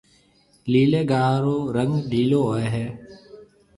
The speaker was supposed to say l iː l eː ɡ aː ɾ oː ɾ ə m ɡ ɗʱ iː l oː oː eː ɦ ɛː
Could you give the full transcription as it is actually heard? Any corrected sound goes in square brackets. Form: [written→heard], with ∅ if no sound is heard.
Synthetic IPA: l iː l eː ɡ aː ɾ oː ɾ ə [m→ŋ] ɡ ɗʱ iː l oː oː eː ɦ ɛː